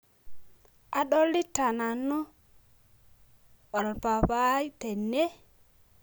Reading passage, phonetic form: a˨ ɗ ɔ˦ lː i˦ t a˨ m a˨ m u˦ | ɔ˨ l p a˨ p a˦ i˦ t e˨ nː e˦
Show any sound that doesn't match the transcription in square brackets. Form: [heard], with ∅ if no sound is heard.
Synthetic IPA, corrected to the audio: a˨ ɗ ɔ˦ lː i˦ t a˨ [n] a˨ [n] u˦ | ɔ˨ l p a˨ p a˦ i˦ t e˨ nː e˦